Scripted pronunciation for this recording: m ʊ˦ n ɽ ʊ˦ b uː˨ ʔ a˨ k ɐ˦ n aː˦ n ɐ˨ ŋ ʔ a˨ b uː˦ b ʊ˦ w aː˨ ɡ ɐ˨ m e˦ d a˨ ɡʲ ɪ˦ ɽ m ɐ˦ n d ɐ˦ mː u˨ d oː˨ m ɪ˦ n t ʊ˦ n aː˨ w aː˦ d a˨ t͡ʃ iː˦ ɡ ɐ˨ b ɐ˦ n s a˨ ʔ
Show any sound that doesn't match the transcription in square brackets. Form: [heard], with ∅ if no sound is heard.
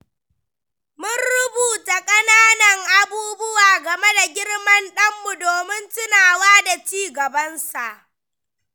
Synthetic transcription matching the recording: m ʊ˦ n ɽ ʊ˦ b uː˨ [t] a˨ [kʼ] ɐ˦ n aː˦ n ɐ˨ ŋ ʔ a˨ b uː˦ b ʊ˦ w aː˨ ɡ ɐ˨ m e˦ d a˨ ɡʲ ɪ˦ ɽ m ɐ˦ n [ɗ] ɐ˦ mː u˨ d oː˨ m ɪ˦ n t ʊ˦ n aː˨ w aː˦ d a˨ t͡ʃ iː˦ ɡ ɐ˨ b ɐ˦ n s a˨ ʔ